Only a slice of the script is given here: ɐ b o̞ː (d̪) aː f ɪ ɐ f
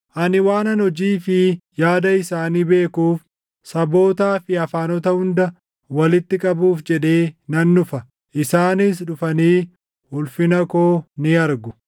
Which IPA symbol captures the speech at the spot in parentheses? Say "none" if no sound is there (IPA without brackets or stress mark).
t̪